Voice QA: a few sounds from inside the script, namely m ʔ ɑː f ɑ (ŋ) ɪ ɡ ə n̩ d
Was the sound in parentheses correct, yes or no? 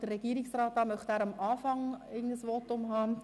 yes